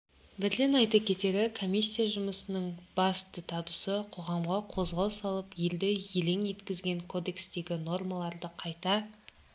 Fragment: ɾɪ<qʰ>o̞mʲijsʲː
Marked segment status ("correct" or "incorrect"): incorrect